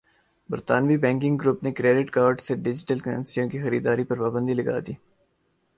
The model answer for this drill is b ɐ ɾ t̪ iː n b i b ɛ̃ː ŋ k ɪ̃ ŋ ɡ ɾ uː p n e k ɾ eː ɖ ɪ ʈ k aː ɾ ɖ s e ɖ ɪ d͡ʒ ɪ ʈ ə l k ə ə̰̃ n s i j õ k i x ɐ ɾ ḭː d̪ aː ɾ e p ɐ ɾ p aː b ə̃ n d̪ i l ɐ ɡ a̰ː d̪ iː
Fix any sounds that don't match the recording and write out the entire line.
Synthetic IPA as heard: b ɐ ɾ t̪ aː n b i b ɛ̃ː ŋ k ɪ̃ ŋ ɡ ɾ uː p n e k ɾ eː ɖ ɪ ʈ k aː ɾ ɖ s e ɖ ɪ d͡ʒ ɪ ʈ ə l k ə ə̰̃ n s i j õ k i x ɐ ɾ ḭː d̪ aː ɾ i p ɐ ɾ p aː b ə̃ n d̪ i l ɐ ɡ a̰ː d̪ iː